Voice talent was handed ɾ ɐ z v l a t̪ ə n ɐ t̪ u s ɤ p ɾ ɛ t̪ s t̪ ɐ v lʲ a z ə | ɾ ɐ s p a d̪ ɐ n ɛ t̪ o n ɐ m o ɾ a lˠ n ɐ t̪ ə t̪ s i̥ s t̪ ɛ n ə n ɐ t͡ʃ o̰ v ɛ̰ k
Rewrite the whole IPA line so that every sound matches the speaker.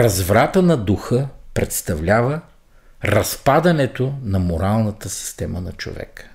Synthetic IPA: ɾ ɐ z v ɾ a t̪ ə n ɐ d̪ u x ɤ p ɾ ɛ t̪ s t̪ ɐ v lʲ a v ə | ɾ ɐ s p a d̪ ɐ n ɛ t̪ o n ɐ m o ɾ a lˠ n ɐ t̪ ə s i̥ s t̪ ɛ m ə n ɐ t͡ʃ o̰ v ɛ̰ k